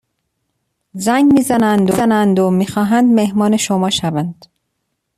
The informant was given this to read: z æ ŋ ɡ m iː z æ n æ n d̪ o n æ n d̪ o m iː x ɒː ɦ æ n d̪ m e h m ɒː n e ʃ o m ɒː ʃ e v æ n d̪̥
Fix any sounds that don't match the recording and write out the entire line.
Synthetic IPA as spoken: z æ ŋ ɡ m iː z æ n æ n d̪ o n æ n d̪ o m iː x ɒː ɦ æ n d̪ m e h m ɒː n e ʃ o m ɒː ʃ æ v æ n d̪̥

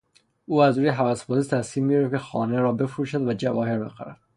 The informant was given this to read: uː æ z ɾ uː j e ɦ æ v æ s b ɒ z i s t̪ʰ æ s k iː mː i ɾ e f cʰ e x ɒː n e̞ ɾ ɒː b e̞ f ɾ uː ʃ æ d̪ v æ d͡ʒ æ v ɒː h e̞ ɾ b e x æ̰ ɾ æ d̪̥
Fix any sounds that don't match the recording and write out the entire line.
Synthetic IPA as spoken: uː æ z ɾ uː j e ɦ æ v æ s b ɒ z i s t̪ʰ æ s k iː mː i ɾ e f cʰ e x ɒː n e̞ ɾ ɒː b e̞ f ɾ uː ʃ æ d̪ v æ d͡ʒ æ v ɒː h e̞ ɾ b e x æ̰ ɾ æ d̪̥

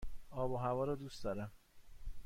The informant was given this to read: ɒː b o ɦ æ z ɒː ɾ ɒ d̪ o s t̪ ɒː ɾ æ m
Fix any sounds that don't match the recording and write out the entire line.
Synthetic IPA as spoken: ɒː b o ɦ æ v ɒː ɾ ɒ d̪ u s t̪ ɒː ɾ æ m

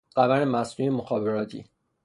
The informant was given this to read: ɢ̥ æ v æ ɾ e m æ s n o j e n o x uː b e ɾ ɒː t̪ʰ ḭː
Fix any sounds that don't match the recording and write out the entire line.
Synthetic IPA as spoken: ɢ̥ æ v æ ɾ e m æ s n u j e m o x ɒː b e ɾ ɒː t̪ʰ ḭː

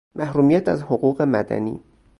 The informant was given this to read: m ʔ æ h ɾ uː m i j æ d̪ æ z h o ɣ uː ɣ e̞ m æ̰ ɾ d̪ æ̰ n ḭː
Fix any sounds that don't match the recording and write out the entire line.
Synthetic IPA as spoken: m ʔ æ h ɾ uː m i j æ t̪ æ z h o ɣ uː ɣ e̞ m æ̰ d̪ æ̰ n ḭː

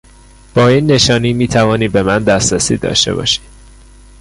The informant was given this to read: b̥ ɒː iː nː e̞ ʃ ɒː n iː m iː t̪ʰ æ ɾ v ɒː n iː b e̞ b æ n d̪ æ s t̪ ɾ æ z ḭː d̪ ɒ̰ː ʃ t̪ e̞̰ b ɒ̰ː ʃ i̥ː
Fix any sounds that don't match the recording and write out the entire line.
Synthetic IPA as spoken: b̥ ɒː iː nː e̞ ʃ ɒː n iː m iː t̪ʰ æ v ɒː n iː b e̞ m æ n d̪ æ s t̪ ɾ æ s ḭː d̪ ɒ̰ː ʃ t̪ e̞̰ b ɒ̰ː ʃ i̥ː

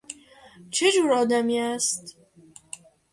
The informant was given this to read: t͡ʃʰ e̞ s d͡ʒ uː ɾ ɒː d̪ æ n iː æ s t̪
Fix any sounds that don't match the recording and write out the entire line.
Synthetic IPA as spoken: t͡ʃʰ e̞ d͡ʒ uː ɾ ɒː d̪ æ m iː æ s t̪

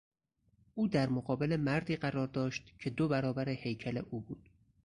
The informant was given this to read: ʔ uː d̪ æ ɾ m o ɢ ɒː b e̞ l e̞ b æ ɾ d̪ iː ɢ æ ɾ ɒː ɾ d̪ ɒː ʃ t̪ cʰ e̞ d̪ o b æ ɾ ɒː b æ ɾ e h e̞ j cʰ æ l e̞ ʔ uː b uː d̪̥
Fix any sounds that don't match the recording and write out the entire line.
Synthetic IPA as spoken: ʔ uː d̪ æ ɾ m o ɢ ɒː b e̞ l e̞ m æ ɾ d̪ iː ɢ æ ɾ ɒː ɾ d̪ ɒː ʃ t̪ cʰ e̞ d̪ o b æ ɾ ɒː b æ ɾ e h e̞ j cʰ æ l e̞ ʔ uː b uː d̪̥

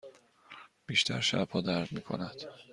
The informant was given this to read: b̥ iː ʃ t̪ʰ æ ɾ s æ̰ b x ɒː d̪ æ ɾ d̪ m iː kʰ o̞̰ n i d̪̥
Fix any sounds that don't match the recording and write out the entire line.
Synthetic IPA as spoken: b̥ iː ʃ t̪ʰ æ ɾ ʃ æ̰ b h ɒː d̪ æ ɾ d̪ m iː kʰ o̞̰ n æ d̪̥

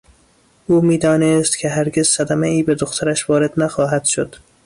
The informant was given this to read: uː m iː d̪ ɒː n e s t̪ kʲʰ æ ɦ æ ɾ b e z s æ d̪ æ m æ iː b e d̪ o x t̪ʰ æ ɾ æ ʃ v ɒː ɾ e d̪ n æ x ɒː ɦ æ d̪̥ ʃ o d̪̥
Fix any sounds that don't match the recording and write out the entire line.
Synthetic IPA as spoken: uː m iː d̪ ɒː n e s t̪ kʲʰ e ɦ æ ɾ ɡ e z s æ d̪ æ m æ iː b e d̪ o x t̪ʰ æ ɾ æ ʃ v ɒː ɾ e d̪ n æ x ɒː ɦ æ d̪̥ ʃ o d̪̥

